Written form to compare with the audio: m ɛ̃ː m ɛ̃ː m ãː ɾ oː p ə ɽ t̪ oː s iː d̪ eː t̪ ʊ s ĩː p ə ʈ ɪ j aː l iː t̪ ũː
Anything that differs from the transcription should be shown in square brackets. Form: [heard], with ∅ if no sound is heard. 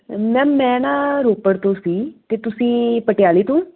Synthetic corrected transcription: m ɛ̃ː m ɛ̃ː [n] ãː ɾ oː p ə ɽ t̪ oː s iː [t̪] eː t̪ ʊ s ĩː p ə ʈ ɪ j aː l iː t̪ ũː